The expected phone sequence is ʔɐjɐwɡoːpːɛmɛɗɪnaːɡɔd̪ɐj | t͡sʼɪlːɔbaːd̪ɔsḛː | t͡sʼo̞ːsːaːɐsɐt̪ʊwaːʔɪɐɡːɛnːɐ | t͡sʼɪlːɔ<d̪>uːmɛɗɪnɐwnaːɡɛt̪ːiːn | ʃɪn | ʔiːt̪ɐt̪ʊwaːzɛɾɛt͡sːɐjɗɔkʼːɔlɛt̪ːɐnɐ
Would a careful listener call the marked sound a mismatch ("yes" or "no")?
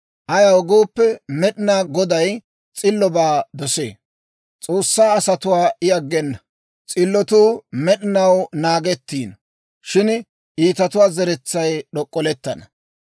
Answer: yes